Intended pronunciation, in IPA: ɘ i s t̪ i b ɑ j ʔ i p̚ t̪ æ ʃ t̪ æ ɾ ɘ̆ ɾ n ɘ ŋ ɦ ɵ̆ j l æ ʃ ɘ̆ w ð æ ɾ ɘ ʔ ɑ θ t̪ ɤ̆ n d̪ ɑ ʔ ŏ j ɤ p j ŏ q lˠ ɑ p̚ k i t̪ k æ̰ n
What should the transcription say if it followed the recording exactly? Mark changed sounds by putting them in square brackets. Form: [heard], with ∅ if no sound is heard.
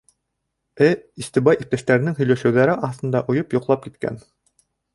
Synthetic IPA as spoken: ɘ i s t̪ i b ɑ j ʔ i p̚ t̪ æ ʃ t̪ æ ɾ ɘ̆ [∅] n ɘ ŋ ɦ ɵ̆ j l æ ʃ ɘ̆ w ð æ ɾ ɘ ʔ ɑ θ t̪ ɤ̆ n d̪ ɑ ʔ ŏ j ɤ p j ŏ q lˠ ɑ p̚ k i t̪ k æ̰ n